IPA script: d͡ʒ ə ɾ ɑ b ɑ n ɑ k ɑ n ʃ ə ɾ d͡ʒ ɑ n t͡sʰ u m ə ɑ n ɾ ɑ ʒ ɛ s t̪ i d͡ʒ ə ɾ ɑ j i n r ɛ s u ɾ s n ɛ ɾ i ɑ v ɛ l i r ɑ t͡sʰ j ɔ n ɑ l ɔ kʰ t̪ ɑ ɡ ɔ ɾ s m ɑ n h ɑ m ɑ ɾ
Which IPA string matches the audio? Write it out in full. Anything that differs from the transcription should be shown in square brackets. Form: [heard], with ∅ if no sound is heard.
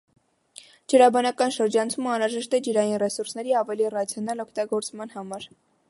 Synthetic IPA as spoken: d͡ʒ ə ɾ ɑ b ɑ n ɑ k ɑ n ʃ ə ɾ d͡ʒ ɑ n t͡sʰ u m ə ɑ n ɾ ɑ ʒ ɛ [ʃ] t̪ [ɛ] d͡ʒ ə ɾ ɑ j i n r ɛ s u ɾ s n ɛ ɾ i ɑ v ɛ l i r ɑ t͡sʰ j ɔ n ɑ l ɔ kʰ t̪ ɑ ɡ ɔ ɾ [t͡s] m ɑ n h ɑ m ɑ ɾ